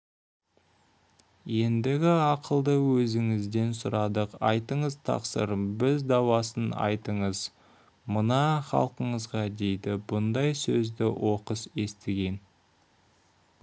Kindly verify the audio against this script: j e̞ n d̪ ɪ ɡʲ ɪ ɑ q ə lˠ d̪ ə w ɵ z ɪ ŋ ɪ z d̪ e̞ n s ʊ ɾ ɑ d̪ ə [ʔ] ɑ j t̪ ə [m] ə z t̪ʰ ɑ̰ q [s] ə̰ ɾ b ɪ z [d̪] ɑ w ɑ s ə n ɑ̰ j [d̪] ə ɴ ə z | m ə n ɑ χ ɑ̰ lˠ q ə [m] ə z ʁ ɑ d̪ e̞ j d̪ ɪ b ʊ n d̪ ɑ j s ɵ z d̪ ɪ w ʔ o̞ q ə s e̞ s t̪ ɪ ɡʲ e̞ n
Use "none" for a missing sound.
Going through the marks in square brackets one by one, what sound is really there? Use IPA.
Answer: q, ɴ, s, d̪, t̪, ɴ

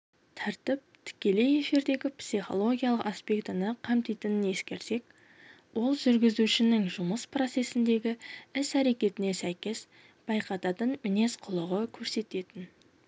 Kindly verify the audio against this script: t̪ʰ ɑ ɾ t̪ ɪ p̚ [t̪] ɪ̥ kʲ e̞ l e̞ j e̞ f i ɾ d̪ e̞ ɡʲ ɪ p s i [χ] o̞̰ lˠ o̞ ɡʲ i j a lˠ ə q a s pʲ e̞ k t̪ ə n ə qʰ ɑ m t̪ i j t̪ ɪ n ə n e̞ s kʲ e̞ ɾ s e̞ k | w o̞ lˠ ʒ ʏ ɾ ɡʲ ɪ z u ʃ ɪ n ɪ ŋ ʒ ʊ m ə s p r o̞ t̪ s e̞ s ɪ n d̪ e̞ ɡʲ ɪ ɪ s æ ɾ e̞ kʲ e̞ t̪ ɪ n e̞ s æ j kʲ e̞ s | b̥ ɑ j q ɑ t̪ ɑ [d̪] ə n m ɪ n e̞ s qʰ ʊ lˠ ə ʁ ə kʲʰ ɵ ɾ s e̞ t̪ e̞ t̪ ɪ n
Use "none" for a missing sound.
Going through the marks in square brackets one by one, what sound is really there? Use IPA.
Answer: t̪ʰ, χ, t̪

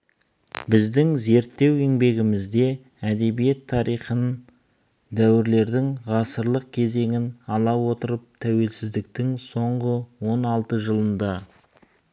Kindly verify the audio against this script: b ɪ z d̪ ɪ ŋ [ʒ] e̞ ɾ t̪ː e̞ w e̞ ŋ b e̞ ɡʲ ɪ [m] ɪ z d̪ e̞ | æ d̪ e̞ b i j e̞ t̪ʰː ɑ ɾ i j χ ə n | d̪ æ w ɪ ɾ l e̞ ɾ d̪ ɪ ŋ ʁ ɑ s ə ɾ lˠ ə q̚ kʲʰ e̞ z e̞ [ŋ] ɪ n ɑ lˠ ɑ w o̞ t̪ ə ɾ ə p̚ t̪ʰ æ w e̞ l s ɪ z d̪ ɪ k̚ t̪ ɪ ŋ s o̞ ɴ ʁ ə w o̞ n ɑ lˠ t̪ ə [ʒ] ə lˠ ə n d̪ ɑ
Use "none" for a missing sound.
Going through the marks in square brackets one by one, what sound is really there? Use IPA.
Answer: z, m, ŋ, ʒ

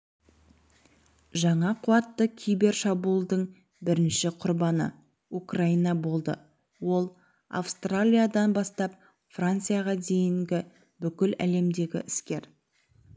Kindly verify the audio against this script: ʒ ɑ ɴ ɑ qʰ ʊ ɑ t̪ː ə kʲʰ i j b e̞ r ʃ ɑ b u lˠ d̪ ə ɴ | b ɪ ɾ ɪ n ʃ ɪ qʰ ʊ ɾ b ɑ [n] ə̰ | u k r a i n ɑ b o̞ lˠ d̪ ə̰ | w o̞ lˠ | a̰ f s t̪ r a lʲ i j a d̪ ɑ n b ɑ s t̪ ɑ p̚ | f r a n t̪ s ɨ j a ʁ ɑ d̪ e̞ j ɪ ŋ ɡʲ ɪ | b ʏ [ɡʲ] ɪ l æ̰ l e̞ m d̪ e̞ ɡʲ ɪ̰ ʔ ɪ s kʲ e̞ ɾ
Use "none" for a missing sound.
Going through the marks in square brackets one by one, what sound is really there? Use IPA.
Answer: n, kʲ

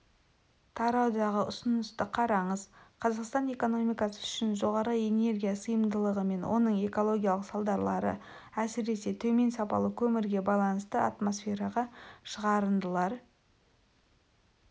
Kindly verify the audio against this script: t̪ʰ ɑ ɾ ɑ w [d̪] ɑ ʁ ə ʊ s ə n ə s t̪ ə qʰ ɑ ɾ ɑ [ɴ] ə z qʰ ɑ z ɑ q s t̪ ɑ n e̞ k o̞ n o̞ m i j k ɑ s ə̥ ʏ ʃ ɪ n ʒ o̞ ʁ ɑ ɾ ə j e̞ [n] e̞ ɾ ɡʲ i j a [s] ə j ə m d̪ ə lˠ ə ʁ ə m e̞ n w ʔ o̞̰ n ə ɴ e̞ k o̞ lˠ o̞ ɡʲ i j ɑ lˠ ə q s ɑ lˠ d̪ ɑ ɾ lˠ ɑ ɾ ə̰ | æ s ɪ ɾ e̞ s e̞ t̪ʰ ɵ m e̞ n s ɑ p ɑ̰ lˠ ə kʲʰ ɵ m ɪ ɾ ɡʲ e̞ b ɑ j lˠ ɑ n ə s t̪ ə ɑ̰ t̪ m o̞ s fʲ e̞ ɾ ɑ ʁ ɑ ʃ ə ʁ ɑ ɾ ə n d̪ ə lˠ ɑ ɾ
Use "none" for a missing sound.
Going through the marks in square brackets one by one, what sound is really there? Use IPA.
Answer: d̪, ɴ, n, s

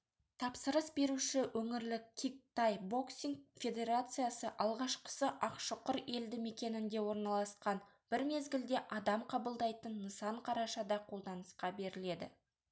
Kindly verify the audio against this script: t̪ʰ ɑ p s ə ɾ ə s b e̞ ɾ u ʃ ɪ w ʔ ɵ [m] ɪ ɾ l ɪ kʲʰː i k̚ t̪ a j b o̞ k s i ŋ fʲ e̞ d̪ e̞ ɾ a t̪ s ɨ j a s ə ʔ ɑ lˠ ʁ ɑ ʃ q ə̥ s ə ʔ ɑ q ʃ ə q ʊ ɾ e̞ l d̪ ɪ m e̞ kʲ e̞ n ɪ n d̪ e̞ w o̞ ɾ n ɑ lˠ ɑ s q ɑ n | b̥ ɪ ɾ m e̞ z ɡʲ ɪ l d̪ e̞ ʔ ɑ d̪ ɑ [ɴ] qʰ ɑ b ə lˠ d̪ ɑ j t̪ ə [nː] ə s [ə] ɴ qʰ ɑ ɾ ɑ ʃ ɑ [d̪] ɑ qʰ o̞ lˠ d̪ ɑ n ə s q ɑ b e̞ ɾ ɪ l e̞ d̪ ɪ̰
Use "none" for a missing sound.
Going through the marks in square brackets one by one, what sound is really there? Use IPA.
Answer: ŋ, m, nː, ɑ, d̪

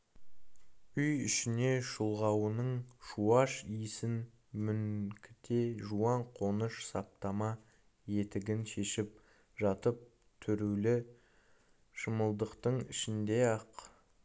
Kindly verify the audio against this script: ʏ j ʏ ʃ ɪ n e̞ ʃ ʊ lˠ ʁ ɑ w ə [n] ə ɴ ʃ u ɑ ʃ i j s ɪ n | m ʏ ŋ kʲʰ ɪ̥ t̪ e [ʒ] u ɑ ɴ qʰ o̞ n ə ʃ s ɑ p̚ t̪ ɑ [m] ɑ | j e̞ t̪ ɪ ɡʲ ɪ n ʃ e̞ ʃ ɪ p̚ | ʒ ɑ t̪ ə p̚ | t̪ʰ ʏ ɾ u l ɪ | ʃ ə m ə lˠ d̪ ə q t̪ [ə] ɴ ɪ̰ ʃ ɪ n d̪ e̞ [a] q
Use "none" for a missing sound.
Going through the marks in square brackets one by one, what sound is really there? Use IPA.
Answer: n, ʒ, m, ə, ɑ

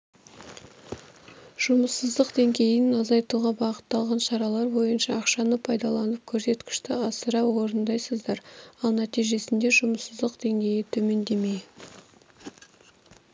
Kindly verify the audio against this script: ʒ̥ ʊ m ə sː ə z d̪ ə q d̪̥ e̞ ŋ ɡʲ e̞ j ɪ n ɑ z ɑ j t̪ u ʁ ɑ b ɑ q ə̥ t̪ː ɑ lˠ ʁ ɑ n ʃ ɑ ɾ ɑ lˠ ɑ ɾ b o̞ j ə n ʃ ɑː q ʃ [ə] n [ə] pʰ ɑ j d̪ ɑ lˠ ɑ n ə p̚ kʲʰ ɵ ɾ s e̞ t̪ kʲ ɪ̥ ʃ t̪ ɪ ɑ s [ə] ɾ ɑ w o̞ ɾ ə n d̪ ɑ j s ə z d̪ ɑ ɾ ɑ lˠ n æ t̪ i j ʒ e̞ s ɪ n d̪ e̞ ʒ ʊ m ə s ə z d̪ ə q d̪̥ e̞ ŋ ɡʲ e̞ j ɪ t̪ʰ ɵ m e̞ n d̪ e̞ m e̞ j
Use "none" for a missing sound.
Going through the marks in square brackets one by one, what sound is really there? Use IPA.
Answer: ɑ, ə, ə

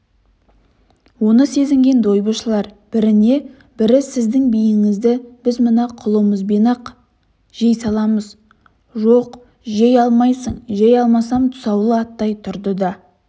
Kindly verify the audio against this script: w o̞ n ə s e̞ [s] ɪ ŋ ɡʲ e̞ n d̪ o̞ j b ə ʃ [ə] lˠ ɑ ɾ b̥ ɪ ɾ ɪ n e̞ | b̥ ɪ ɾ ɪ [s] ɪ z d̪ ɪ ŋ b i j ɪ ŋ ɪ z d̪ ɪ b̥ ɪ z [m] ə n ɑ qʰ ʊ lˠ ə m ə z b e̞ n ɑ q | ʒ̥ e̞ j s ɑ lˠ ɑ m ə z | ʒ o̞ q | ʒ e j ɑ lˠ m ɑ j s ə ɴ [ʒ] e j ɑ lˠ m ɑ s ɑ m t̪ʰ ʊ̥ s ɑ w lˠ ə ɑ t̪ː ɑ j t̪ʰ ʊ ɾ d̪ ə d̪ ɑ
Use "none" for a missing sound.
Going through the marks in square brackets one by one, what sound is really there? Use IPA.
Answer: z, ə, s, m, ʒ

